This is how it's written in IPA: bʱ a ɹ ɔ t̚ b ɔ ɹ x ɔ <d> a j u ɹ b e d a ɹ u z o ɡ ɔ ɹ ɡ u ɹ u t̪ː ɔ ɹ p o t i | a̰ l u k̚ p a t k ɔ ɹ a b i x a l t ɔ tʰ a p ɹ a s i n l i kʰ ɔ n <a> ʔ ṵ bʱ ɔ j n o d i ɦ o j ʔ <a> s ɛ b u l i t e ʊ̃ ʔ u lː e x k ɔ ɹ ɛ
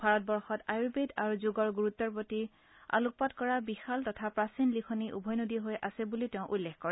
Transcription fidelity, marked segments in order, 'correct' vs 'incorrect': incorrect, incorrect, correct

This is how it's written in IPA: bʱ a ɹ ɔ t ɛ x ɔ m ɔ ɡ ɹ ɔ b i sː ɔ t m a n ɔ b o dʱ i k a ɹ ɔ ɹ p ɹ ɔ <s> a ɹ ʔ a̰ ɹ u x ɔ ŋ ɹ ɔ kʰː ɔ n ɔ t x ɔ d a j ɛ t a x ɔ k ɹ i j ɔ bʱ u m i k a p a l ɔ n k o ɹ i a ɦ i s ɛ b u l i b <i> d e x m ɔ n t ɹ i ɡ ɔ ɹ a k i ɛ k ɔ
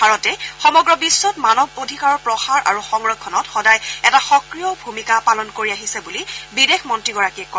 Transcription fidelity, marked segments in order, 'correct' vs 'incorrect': incorrect, correct

